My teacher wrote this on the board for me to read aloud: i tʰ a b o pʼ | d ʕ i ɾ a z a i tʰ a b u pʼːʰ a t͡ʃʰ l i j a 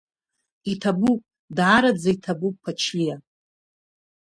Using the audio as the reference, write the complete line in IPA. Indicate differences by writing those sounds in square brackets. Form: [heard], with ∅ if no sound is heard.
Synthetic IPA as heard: i tʰ a b [u] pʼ | d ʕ [a] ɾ a [d͡z] a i tʰ a b u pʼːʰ a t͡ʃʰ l i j a

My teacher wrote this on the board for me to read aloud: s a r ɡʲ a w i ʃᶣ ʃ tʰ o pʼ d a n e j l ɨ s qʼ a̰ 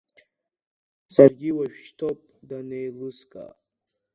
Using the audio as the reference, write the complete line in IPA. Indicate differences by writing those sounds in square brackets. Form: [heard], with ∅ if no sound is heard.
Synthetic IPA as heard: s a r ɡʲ [i] w [a] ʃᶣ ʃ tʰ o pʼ d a n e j l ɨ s [kʼ] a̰

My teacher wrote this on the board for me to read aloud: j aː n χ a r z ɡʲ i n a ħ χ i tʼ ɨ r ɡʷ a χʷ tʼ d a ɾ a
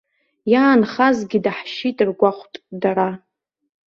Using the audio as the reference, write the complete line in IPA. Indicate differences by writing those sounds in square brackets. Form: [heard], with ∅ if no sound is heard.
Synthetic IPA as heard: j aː n χ a [∅] z ɡʲ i [d] a ħ [ʃ] i tʼ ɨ r ɡʷ a χʷ tʼ d a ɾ a

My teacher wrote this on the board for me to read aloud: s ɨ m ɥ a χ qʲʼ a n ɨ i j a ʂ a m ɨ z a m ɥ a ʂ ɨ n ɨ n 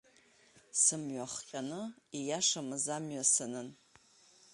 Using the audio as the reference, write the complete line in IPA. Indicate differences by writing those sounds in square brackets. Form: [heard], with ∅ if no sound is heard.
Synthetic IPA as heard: s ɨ m ɥ a χ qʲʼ a n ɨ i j a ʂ a m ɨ z a m ɥ a [s] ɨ n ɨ n

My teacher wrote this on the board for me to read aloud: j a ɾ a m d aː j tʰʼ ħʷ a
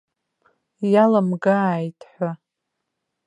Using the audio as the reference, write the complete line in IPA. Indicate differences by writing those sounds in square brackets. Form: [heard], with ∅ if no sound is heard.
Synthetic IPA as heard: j a [l] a m [ɡ] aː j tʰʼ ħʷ a

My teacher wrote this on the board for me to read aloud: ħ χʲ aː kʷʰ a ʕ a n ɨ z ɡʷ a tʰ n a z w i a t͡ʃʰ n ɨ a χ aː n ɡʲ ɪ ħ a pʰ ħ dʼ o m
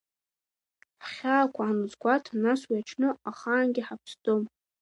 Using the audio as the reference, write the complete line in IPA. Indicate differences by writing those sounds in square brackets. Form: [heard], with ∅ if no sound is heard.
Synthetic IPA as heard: ħ χʲ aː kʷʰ a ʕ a n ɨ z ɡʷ a tʰ n a [s] w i a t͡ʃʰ n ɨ a χ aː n ɡʲ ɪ ħ a pʰ [s] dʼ o m

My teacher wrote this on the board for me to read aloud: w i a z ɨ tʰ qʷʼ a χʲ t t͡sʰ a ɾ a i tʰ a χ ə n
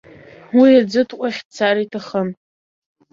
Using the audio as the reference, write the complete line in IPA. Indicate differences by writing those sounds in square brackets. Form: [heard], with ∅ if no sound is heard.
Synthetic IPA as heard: w i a [d͡z] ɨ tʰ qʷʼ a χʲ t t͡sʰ a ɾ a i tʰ a χ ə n

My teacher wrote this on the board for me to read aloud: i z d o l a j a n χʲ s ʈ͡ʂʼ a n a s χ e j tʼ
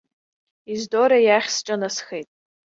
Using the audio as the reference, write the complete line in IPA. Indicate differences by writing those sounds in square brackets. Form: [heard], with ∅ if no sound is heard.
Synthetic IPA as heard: i z d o [ɾ] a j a [∅] χʲ s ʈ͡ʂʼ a n a s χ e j tʼ

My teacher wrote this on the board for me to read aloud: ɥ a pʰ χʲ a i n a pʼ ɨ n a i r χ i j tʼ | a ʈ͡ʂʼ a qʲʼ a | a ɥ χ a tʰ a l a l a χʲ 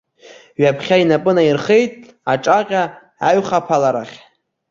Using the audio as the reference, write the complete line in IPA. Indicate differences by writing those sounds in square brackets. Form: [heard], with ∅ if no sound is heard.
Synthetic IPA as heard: ɥ a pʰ χʲ a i n a pʼ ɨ n a i r χ [e] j tʼ | a ʈ͡ʂʼ a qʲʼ a | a ɥ χ a [pʰ] a l a [ɾ] a χʲ

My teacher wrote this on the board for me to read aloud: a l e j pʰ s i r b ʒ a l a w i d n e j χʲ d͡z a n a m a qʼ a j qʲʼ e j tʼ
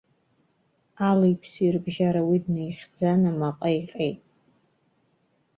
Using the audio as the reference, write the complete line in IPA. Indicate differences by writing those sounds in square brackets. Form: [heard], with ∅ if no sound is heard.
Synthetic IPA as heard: a l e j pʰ s i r b ʒ a [ɾ] a w i d n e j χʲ d͡z a n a m a qʼ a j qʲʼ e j tʼ

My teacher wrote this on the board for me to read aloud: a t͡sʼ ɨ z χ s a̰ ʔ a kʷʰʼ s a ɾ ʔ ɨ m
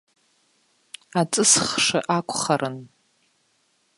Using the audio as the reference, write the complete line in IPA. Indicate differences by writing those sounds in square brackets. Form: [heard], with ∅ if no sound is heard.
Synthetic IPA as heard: a t͡sʼ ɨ [s] χ [ʂ] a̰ ʔ a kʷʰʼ [χ] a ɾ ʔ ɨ [n]

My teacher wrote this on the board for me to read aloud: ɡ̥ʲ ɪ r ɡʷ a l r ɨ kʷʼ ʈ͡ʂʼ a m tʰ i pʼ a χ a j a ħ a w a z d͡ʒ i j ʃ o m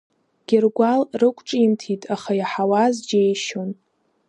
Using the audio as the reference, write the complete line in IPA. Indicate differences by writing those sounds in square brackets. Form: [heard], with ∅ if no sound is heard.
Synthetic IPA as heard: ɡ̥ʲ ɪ r ɡʷ a l r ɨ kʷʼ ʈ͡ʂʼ [i] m tʰ i [tʼ] a χ a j a ħ a w a z d͡ʒ [e] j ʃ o [n]

